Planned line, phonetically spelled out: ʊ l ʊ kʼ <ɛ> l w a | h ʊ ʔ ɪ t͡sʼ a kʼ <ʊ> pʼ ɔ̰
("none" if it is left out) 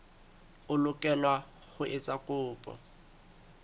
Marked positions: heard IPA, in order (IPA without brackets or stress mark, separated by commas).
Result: ɛ, ʊː